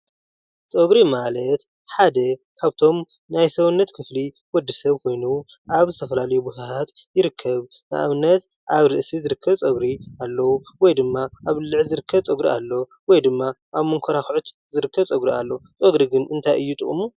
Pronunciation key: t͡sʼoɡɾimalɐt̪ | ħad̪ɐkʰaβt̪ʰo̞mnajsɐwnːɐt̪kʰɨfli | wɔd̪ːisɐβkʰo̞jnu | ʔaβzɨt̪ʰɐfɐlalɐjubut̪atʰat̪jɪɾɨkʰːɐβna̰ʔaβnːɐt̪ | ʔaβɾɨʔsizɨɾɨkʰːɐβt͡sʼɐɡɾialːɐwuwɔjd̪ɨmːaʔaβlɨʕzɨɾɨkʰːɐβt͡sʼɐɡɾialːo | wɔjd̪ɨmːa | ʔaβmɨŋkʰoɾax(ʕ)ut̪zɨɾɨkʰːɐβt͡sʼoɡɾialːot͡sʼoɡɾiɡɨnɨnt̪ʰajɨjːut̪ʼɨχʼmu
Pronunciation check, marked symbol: correct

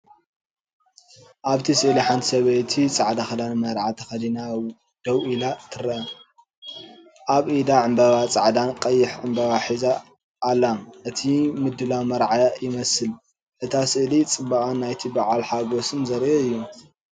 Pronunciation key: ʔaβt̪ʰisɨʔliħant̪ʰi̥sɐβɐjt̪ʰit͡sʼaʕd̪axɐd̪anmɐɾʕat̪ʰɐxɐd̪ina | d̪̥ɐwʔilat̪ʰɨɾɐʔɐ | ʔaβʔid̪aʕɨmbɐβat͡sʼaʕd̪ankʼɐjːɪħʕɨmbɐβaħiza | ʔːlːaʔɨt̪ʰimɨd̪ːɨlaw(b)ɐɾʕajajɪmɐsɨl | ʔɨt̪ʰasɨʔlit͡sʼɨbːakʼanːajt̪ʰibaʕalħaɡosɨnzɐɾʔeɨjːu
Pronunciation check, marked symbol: incorrect: m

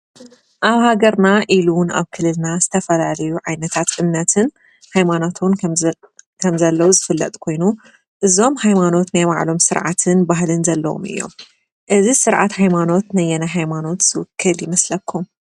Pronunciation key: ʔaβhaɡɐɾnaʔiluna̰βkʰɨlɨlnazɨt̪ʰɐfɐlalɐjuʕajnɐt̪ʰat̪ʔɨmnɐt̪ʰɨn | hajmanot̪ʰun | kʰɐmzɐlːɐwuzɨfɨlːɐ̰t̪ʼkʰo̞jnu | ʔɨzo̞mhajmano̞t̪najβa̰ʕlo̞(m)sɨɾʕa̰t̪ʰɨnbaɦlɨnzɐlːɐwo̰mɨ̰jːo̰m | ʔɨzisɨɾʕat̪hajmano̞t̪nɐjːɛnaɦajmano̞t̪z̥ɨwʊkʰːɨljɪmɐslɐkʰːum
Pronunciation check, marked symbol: correct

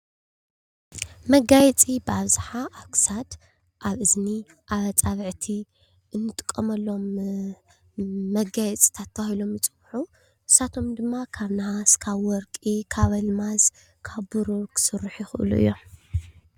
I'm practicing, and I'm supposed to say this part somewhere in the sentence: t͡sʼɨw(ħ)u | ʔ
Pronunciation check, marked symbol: correct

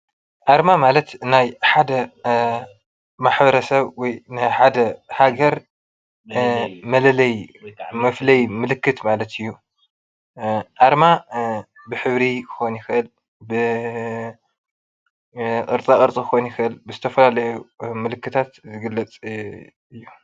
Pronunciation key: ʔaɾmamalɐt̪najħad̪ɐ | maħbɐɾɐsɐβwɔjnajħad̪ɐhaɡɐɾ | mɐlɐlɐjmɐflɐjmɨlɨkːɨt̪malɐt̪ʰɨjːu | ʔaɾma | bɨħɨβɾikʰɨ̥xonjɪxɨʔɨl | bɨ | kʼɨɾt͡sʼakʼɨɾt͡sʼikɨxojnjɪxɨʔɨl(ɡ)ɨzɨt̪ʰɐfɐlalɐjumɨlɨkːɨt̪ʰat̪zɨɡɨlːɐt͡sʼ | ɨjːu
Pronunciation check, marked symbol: incorrect: b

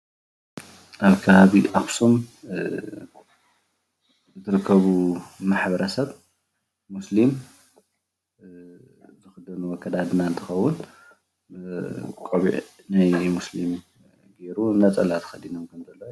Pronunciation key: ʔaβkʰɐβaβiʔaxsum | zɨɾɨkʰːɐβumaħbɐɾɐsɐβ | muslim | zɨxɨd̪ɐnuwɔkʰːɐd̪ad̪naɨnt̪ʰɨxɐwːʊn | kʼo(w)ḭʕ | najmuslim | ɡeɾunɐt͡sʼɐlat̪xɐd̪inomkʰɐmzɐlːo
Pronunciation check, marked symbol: incorrect: β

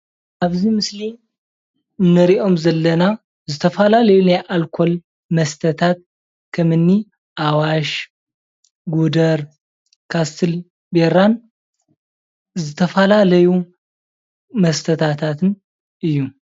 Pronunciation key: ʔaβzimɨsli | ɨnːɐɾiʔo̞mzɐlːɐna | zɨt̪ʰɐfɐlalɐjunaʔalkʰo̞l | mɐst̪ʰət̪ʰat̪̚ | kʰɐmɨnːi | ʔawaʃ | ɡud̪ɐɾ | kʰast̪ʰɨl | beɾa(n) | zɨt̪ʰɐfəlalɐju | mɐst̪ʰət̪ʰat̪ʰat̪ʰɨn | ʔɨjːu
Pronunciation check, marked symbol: correct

